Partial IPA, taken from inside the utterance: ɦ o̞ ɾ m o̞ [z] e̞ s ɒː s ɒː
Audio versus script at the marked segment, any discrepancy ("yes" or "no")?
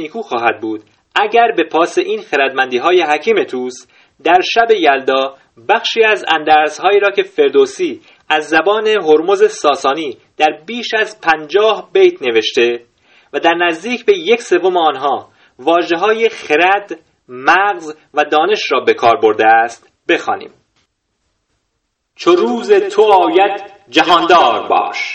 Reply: no